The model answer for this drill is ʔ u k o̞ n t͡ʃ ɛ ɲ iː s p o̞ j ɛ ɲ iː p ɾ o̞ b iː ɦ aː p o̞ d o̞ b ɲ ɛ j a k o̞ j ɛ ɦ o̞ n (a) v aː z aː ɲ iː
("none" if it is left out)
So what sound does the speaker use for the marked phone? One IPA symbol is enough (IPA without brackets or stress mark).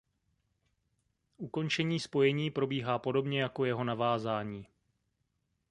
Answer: a